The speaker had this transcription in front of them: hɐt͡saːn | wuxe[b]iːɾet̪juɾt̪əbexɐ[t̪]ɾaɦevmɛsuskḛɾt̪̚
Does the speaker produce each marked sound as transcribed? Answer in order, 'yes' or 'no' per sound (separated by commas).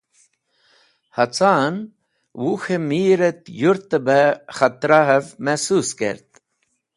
no, yes